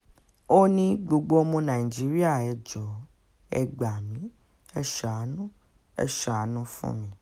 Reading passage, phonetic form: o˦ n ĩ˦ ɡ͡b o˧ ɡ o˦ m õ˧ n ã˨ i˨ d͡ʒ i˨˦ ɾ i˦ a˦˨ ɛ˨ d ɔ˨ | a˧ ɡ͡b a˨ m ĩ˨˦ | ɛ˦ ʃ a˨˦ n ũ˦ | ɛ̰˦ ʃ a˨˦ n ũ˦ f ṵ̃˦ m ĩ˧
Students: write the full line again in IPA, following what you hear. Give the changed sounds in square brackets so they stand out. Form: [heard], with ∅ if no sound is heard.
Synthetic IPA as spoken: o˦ n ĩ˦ ɡ͡b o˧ [ɡ͡b] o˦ m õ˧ n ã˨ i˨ d͡ʒ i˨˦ ɾ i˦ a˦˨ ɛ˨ [d͡ʒ] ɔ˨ | [ɛ˧] ɡ͡b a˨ m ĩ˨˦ | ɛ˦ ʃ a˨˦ n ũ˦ | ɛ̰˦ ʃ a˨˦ n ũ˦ f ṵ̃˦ m ĩ˧